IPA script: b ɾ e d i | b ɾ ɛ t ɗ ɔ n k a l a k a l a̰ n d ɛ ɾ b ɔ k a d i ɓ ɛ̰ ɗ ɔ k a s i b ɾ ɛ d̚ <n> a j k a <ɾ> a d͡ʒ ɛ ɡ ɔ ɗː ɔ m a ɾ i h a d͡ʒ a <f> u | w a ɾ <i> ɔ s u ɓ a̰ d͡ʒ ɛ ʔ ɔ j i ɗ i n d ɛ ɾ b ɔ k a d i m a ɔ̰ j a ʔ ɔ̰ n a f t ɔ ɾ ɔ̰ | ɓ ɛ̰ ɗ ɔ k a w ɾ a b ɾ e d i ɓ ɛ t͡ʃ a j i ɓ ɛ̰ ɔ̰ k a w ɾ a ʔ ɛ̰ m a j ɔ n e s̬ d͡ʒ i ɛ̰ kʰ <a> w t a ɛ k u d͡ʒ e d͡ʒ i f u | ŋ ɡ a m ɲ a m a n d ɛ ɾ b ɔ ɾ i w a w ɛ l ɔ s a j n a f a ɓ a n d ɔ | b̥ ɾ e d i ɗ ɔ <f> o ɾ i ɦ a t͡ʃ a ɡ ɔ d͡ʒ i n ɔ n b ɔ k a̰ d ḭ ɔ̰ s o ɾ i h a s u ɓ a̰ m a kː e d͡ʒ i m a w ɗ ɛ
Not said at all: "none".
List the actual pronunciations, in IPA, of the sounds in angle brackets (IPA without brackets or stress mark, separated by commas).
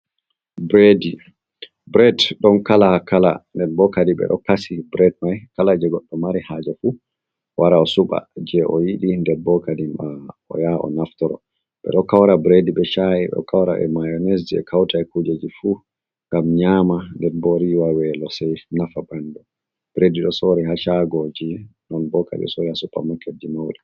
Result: m, l, f, a, a, s